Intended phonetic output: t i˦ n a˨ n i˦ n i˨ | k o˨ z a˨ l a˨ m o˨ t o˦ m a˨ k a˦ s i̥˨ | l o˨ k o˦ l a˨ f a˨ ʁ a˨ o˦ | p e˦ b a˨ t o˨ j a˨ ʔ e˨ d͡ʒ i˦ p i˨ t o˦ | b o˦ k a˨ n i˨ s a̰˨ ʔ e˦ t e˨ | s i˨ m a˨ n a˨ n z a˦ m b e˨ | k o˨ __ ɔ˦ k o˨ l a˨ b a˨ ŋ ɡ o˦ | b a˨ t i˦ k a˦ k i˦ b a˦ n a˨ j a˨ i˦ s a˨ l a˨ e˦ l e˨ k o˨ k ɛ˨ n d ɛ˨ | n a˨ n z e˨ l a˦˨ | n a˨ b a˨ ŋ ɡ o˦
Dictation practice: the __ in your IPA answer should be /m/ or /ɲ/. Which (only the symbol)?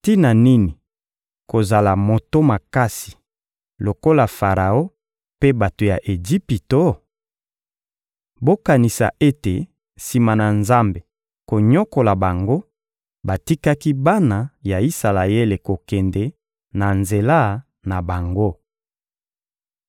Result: ɲ